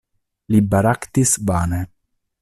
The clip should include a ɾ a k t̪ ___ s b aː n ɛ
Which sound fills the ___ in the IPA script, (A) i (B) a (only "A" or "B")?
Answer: A